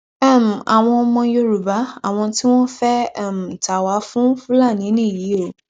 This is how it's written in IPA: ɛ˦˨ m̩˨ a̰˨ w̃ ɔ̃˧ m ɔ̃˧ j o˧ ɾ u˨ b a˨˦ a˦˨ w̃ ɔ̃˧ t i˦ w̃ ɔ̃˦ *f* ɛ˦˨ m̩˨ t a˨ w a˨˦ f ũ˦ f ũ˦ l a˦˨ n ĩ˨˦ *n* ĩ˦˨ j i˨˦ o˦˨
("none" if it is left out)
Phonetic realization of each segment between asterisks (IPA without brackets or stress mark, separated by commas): f, n